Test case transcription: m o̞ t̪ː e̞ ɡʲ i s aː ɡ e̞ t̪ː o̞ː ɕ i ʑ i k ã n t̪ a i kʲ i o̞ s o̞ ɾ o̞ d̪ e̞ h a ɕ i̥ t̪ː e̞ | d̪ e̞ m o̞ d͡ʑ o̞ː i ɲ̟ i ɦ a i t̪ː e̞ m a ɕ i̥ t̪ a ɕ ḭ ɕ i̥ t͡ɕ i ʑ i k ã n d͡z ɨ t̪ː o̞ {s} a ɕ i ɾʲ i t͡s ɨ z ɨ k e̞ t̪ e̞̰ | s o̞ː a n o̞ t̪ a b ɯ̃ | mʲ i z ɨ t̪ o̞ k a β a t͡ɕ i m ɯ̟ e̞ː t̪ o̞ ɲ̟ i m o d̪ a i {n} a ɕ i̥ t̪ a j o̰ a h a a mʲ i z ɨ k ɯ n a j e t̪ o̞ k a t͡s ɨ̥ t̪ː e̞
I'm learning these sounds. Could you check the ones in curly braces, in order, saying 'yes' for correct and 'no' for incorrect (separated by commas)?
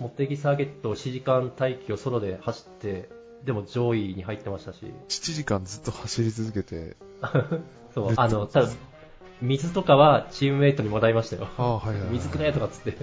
no, no